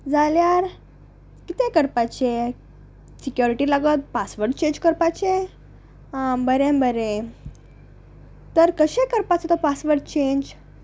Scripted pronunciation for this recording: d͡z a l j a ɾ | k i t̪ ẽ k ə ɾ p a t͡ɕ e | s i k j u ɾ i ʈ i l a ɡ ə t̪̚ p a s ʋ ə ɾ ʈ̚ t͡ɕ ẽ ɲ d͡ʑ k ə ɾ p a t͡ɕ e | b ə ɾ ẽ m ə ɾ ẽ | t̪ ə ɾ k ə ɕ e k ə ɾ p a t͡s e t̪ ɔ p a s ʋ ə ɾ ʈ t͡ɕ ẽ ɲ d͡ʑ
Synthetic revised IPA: d͡z a l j a ɾ | k i t̪ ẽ k ə ɾ p a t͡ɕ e | s i k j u ɾ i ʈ i l a ɡ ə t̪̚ p a s ʋ ə ɾ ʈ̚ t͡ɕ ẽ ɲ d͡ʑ k ə ɾ p a t͡ɕ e | b ə ɾ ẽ b ə ɾ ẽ | t̪ ə ɾ k ə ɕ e k ə ɾ p a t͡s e t̪ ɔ p a s ʋ ə ɾ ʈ t͡ɕ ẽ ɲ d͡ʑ